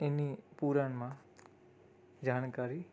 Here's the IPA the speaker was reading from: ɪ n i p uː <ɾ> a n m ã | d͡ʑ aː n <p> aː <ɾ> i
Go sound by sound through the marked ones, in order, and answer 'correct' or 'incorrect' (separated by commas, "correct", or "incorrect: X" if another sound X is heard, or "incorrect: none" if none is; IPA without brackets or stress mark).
correct, incorrect: k, correct